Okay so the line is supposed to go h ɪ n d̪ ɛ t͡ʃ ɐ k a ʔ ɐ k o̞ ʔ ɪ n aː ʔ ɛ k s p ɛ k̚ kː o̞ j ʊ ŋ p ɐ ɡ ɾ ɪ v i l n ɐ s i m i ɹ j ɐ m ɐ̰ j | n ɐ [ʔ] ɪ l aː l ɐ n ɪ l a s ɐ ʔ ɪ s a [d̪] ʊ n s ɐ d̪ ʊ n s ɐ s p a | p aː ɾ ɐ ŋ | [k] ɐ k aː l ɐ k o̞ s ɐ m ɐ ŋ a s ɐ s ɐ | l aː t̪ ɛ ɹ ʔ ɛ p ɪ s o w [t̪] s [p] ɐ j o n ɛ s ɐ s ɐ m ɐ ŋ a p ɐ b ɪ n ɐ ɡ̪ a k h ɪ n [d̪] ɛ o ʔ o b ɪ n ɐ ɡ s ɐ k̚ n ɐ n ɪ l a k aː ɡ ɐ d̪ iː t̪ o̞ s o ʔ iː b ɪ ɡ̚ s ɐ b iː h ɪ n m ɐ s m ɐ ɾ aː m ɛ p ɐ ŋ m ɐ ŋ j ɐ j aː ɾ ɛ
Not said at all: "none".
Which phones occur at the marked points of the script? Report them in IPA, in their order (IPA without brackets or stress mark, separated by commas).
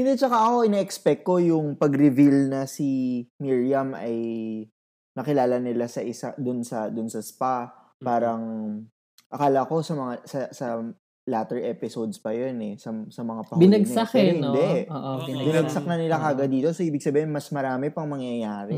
k, d̪, ʔ, d̪, p, d̪